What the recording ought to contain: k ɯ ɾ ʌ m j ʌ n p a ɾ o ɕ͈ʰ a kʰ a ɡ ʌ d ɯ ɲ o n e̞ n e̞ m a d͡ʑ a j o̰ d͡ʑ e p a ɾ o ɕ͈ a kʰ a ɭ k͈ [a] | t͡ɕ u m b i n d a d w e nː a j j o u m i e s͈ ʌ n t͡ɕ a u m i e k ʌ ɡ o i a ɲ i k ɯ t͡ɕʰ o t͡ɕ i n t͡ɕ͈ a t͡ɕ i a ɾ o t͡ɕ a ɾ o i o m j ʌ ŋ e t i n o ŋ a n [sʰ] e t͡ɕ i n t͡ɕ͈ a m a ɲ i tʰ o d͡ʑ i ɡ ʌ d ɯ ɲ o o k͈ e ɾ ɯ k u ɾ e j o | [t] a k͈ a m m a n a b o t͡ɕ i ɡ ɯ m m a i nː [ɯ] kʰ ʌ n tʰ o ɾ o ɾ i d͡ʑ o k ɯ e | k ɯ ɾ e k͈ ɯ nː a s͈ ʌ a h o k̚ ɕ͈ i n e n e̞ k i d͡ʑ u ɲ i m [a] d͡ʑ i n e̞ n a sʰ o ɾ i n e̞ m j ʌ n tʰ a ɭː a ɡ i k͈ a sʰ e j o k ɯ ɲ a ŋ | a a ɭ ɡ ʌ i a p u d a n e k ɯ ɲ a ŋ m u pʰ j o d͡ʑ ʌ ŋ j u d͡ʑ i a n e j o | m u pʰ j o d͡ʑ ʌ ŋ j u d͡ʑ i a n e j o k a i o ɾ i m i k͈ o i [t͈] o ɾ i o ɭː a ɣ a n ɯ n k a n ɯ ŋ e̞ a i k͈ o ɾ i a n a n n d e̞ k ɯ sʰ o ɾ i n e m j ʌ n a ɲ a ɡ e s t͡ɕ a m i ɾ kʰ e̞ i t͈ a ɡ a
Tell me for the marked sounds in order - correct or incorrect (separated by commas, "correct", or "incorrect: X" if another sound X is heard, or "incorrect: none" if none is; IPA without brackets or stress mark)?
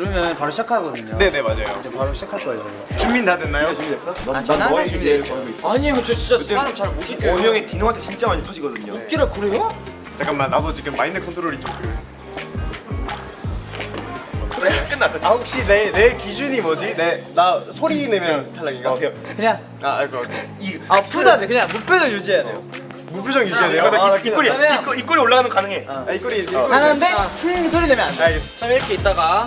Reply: incorrect: ʌ, incorrect: tʰ, incorrect: t͡ɕ, correct, incorrect: ʌ, incorrect: k͈